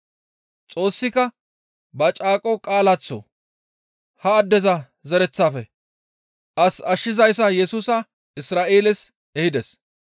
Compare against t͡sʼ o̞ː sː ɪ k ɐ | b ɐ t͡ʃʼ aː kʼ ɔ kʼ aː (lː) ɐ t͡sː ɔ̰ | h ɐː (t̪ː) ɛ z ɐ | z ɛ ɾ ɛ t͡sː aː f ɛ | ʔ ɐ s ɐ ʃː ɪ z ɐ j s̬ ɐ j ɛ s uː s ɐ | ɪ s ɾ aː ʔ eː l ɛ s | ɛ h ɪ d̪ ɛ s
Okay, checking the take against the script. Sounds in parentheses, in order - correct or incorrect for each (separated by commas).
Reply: incorrect, incorrect